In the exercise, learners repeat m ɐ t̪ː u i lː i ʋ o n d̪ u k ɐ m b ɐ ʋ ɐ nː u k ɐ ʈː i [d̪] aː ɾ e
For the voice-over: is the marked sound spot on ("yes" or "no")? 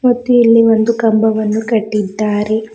no